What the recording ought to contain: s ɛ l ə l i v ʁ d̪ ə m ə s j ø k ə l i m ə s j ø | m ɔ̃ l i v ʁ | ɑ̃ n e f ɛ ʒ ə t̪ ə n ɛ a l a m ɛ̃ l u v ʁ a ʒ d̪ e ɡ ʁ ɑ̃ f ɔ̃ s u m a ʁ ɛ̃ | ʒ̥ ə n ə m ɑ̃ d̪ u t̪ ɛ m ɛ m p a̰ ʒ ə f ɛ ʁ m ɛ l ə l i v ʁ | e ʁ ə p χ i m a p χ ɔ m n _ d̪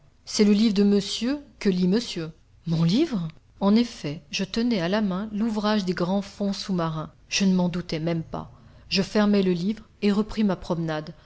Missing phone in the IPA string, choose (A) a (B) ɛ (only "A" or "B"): A